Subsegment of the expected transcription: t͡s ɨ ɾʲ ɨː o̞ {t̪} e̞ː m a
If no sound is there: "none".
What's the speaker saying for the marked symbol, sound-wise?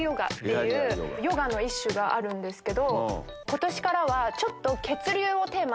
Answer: t̪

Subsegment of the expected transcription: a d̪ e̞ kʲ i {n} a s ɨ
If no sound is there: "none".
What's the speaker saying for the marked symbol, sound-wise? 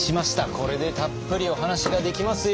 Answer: m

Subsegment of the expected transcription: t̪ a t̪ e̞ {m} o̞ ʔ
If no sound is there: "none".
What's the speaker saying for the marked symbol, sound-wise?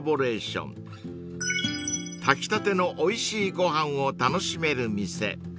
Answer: n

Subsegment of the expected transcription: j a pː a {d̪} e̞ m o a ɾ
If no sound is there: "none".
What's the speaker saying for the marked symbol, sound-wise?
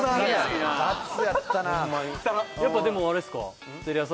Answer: d̪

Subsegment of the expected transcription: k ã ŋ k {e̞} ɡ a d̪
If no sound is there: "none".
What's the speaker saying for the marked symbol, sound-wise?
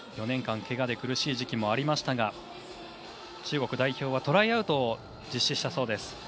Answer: e̞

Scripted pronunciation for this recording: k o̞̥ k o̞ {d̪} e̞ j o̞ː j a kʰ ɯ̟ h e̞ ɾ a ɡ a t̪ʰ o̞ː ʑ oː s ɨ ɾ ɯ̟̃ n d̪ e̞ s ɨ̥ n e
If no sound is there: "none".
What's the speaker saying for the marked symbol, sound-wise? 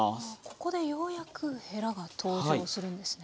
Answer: d̪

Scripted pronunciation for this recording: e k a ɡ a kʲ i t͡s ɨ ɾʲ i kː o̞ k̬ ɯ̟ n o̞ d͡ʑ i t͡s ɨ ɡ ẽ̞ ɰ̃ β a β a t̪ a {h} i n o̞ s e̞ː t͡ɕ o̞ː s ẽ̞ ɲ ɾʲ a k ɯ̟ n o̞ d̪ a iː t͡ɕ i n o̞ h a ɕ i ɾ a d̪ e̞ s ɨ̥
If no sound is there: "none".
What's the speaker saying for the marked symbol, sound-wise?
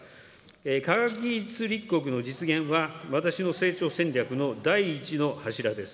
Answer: ɕ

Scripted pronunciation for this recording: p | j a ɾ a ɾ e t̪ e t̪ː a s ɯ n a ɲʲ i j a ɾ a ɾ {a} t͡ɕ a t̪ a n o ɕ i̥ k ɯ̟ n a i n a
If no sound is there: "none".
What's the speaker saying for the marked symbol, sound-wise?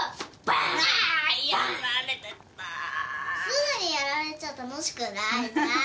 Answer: e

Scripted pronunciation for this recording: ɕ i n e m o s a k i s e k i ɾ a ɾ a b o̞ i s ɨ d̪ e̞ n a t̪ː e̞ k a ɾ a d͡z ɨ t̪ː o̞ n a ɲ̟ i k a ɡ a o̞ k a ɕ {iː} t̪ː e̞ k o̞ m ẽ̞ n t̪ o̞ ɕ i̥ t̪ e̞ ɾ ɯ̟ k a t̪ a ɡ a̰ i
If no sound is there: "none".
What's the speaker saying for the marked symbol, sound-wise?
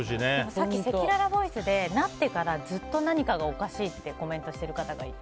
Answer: iː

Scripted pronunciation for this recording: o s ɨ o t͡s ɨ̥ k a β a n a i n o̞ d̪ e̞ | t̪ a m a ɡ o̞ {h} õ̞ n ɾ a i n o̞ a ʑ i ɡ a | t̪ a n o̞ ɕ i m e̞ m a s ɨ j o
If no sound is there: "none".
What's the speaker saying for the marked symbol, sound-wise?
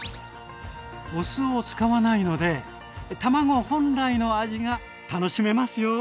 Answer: h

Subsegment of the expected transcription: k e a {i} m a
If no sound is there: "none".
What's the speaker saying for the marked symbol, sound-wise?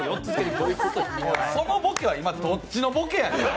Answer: i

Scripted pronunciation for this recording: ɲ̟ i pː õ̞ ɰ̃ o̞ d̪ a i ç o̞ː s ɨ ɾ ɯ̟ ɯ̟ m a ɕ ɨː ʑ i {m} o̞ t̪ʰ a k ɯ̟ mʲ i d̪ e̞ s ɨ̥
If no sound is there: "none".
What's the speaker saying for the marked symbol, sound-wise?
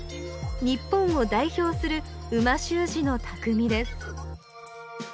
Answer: n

